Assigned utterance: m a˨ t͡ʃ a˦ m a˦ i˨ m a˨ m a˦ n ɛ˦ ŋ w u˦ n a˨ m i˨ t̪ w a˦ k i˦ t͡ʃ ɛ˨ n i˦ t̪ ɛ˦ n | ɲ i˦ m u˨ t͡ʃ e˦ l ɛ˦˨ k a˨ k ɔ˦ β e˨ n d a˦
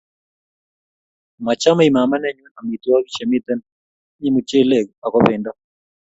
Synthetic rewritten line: m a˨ t͡ʃ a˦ m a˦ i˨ m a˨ m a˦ n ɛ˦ ɲ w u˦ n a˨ m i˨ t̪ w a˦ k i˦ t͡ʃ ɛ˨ m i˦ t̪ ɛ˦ n | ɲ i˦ m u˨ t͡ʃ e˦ l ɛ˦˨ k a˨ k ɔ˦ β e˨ n d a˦